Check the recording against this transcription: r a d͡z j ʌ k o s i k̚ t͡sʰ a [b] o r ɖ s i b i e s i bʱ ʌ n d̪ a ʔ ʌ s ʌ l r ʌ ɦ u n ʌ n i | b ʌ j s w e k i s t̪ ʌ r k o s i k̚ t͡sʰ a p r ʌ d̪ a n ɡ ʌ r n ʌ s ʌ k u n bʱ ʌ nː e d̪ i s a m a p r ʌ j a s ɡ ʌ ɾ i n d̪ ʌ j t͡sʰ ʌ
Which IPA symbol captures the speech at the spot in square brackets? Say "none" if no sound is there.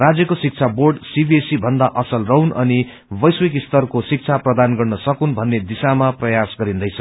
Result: b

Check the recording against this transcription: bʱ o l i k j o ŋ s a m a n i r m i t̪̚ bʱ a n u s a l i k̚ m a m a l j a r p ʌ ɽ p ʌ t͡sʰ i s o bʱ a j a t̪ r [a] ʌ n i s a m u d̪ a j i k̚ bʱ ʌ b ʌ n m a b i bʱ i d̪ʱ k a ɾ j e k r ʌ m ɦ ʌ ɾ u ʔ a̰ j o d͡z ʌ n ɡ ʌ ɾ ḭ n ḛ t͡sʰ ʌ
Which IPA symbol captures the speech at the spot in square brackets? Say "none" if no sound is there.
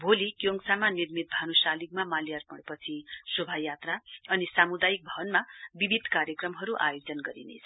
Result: a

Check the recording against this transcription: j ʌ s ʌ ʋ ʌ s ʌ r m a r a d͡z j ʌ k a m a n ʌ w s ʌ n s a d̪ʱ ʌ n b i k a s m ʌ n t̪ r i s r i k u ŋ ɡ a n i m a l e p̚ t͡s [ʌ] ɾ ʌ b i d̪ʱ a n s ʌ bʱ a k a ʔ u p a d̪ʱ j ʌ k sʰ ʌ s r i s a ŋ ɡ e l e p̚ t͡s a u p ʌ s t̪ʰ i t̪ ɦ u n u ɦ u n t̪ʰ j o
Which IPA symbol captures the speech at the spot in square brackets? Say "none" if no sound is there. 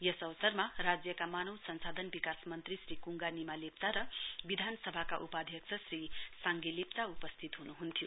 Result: a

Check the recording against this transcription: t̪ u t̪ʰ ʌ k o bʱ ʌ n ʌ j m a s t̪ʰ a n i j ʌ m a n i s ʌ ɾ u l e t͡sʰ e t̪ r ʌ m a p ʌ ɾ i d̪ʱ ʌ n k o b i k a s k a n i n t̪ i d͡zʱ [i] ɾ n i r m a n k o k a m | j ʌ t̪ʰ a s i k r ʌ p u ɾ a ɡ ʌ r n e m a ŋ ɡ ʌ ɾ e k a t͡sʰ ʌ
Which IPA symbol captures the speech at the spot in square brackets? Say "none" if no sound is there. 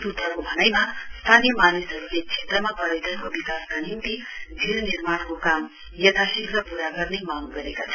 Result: i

